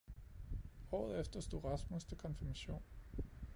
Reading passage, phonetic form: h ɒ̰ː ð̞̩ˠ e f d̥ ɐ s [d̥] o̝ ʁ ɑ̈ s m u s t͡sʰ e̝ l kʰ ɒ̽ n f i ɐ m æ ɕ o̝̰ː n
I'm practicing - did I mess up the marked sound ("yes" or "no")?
no